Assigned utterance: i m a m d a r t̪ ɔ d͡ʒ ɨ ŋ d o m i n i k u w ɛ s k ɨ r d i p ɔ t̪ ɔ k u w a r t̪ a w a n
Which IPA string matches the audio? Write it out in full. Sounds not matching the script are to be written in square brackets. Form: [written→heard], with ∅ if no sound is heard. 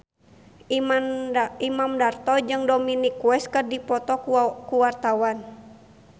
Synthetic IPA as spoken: i m a m d a r t̪ ɔ d͡ʒ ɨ ŋ d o m i n i k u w ɛ s k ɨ r d i p ɔ t̪ ɔ k u w a r t̪ a w a n